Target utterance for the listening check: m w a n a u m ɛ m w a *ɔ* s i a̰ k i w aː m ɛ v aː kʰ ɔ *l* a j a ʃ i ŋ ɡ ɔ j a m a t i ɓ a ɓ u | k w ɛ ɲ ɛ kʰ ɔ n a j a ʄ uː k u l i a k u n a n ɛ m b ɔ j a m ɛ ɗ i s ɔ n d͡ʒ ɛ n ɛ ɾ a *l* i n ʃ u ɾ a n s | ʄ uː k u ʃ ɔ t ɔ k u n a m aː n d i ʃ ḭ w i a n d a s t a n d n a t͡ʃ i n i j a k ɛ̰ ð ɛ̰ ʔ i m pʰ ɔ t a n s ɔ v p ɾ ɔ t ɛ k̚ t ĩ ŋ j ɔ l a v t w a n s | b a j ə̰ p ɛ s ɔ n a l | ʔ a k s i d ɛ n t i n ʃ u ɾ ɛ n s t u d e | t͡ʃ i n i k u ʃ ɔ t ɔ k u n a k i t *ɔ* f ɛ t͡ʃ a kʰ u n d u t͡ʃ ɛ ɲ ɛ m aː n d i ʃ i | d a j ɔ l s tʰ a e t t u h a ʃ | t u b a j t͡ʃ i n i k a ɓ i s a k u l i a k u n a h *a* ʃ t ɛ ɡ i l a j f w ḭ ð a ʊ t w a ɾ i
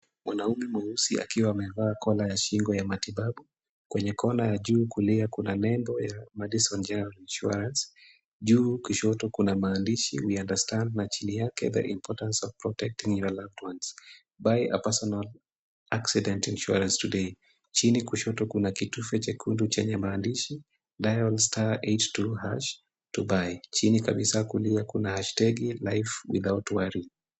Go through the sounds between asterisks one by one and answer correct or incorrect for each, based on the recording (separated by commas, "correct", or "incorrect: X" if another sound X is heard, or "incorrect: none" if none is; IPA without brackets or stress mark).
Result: incorrect: u, correct, correct, incorrect: u, correct